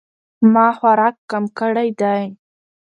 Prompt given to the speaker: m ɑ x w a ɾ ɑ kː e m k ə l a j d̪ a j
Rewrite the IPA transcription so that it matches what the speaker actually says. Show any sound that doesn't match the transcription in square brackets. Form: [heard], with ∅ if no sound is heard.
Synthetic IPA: m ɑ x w a ɾ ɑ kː [a] m k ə [ɽ] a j d̪ a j

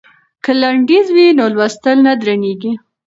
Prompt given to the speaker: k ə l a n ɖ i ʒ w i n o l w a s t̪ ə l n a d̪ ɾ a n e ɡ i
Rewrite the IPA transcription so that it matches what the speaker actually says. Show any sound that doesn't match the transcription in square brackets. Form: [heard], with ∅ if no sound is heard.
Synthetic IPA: k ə l a [ɳ] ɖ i [z] w i n o l w a s t̪ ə l n a d̪ ɾ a n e ɡ i

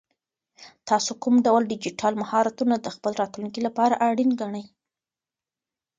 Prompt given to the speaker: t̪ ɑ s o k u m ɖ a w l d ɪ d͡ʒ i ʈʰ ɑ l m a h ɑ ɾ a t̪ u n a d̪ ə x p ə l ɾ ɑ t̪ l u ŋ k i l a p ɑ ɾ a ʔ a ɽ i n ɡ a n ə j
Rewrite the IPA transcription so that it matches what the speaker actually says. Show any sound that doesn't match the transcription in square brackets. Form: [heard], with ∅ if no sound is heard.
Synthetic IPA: t̪ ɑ s o k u m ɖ a w l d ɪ d͡ʒ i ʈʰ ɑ l m a h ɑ ɾ a t̪ u n a d̪ ə x p ə l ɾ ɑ t̪ l u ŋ k i l a p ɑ ɾ a ʔ a ɽ i n ɡ a [ɳ] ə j

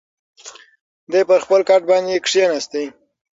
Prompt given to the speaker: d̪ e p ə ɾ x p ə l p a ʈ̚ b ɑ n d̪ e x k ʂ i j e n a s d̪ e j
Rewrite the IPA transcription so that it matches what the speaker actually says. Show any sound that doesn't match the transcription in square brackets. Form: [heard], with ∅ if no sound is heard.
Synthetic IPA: d̪ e p ə ɾ x p ə l [k] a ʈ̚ b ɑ n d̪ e [∅] k ʂ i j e n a s [t̪] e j

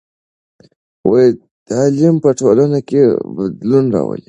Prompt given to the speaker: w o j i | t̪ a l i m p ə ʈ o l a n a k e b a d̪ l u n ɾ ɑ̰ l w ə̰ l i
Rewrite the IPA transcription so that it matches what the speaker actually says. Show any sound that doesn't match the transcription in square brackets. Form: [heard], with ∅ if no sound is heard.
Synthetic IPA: w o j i | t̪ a l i m p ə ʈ o l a n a k e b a d̪ l u n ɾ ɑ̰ [∅] w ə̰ l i

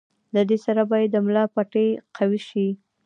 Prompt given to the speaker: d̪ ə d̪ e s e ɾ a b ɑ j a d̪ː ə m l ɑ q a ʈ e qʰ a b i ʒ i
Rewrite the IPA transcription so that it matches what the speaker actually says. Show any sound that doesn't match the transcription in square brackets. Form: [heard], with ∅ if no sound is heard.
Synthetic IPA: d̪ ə d̪ e s [a] ɾ a b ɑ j a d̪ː ə m l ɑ [p] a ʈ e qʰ a [w] i [ʃ] i

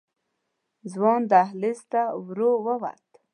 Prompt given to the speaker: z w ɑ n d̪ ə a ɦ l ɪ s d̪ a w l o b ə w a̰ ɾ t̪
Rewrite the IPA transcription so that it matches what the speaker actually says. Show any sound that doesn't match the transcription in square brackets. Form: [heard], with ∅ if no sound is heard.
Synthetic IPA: z w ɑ n d̪ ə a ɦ l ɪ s [t̪] a w [ɾ] o [w] ə w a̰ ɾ t̪

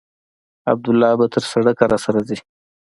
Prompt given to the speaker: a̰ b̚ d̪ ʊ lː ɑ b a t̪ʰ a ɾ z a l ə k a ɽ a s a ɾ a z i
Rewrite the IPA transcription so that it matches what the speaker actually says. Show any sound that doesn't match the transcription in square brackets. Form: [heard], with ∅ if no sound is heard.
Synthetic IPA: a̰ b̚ d̪ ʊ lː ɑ b a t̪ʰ [ə] ɾ [s] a [ɽ] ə k a [ɾ] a s a ɾ a z i

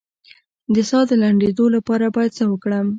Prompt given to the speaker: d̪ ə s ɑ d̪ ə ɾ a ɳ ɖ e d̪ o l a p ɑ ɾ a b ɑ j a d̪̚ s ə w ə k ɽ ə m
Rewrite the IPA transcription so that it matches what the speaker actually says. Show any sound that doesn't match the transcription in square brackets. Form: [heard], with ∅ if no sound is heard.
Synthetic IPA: d̪ ə s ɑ d̪ ə [l] a ɳ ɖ e d̪ o l a p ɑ ɾ a b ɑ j a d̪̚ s ə w ə k ɽ ə m

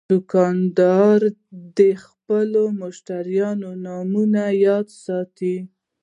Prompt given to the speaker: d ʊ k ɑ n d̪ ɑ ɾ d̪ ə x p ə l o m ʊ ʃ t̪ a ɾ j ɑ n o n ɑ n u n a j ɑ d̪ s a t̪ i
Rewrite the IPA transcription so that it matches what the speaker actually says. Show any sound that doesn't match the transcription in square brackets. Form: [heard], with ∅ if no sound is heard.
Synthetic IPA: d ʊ k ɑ n d̪ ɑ ɾ d̪ ə x p ə l o m ʊ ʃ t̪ a ɾ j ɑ n o n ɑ [m] u n a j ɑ d̪ s [ɑ] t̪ i

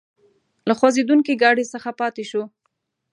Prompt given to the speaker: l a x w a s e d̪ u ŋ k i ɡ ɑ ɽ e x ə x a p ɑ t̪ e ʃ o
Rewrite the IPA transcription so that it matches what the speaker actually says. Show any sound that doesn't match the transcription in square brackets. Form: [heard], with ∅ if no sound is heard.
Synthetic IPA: l a x w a [z] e d̪ u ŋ k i ɡ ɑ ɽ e [s] ə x a p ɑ t̪ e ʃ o

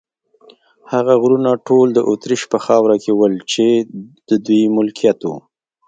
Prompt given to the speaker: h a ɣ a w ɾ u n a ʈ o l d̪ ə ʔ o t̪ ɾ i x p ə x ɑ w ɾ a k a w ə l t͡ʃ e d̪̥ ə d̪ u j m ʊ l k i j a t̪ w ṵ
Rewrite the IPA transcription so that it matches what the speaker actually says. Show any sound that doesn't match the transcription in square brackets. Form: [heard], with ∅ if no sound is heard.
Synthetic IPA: h a ɣ a [ɣ] ɾ u n a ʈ o l d̪ ə ʔ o t̪ ɾ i [ʃ] p ə x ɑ w ɾ a k [e] w ə l t͡ʃ e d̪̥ ə d̪ u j m ʊ l k i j a t̪ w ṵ

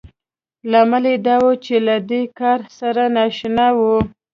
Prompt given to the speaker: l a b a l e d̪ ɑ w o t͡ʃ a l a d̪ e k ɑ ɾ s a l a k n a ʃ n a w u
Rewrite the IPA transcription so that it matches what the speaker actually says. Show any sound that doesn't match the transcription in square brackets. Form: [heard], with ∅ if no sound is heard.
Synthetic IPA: l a [m] a l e d̪ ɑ w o t͡ʃ [e] l a d̪ e k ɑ ɾ s a [ɾ] a [∅] n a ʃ n a w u

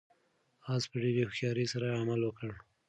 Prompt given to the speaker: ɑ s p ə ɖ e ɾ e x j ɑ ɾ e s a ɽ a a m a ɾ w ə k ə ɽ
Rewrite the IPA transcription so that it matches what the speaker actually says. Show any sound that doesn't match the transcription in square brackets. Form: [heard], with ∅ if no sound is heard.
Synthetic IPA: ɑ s p ə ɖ e ɾ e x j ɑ ɾ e s a [ɾ] a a m a [l] w ə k ə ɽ

